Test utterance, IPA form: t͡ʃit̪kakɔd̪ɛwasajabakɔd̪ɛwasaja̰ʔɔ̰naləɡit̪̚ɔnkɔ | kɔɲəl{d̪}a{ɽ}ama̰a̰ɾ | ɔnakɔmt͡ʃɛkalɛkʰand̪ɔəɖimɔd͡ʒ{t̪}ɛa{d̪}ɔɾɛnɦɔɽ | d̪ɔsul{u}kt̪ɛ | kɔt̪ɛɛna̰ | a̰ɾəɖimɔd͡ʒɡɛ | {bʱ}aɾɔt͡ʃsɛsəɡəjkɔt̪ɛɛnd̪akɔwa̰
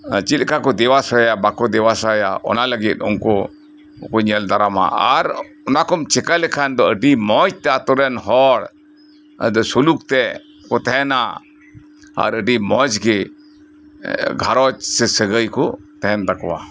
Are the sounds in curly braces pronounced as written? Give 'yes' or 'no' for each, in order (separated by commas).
yes, no, yes, no, yes, no